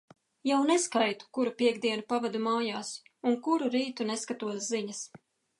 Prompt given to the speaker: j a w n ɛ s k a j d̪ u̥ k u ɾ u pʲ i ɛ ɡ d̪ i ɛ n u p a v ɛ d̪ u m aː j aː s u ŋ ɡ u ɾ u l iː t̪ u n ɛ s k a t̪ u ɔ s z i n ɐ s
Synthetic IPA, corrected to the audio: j a w n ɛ s k a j t̪ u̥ k u ɾ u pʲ i ɛ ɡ d̪ i ɛ n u p a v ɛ d̪ u m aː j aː s u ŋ k u ɾ u ɾ iː t̪ u n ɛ s k a t̪ u ɔ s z i ɲ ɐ s